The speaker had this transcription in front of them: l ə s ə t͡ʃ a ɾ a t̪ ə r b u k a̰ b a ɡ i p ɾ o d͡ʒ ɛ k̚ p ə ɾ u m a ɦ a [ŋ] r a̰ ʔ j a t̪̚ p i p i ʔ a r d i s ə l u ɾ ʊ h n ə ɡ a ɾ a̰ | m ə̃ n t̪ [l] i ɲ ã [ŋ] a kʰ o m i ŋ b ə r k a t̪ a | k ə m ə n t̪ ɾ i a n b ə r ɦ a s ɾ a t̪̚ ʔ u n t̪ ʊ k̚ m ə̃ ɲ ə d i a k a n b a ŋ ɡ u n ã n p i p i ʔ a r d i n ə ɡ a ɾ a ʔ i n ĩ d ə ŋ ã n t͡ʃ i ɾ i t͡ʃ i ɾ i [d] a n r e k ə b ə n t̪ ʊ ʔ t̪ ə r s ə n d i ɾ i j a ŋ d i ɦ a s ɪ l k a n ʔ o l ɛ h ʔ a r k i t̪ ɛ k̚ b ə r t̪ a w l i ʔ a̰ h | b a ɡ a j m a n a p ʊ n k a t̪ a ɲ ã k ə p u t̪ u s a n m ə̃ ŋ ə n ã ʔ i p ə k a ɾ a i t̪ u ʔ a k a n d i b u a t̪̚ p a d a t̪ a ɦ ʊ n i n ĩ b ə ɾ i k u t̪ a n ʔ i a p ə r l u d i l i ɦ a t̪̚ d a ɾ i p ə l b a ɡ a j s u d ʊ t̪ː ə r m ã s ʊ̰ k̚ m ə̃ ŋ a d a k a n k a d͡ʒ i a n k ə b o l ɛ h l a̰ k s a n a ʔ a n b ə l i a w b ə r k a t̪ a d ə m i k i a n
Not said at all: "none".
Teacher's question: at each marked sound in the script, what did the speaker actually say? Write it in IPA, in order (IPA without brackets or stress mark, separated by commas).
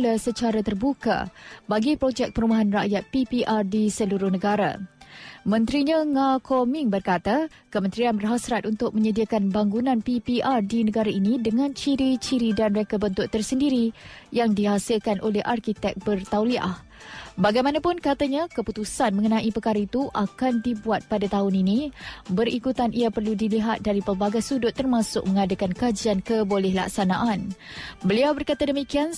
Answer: n, ɾ, ŋ, d